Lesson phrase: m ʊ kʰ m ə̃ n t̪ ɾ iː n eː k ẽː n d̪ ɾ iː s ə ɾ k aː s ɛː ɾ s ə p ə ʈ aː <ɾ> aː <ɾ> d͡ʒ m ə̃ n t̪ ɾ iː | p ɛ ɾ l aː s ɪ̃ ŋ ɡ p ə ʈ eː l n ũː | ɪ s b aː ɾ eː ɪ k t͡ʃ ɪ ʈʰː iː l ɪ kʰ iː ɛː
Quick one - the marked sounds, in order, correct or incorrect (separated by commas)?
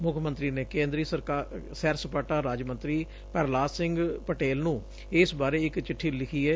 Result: correct, incorrect